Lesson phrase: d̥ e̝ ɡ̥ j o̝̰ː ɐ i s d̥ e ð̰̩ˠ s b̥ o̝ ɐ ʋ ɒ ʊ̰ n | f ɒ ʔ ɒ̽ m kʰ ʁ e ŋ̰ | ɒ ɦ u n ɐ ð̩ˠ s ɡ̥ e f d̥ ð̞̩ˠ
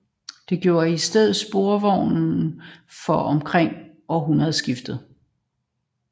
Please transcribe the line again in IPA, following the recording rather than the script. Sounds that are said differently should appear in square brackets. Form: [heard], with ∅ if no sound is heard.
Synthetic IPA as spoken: d̥ e̝ ɡ̥ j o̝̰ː ɐ i s d̥ e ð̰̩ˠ s b̥ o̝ ɐ ʋ ɒ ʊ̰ n | f ɒ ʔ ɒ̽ m kʰ ʁ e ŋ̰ | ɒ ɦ u n ɐ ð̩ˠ s ɡ̥ [i] f d̥ ð̞̩ˠ